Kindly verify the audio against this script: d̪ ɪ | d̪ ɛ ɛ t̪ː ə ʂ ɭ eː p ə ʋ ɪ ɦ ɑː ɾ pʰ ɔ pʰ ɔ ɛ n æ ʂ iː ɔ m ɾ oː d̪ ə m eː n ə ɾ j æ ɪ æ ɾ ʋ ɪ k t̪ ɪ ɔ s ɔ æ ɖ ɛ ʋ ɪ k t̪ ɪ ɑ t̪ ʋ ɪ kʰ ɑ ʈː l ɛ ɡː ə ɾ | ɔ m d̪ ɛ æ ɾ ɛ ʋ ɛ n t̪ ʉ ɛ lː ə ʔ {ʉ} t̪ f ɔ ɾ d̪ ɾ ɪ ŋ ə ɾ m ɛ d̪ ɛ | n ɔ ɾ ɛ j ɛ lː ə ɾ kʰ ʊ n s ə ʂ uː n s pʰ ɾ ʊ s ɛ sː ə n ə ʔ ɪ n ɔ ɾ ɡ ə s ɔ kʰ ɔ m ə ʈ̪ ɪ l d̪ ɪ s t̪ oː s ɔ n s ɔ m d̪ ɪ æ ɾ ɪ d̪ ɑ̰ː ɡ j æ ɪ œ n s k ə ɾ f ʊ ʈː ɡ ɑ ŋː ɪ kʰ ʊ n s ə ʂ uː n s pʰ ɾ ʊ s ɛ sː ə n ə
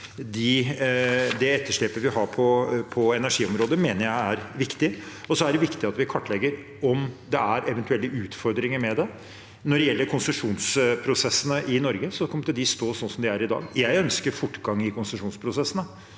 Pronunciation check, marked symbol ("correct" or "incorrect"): incorrect